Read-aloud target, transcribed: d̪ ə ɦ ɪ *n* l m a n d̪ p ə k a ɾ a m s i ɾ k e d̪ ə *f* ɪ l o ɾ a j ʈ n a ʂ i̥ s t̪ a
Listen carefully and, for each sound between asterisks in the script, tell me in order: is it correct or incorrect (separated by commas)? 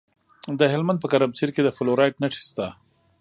incorrect, correct